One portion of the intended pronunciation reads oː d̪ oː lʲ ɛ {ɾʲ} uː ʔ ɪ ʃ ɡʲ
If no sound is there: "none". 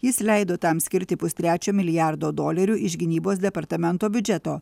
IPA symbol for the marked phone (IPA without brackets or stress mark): ɾʲ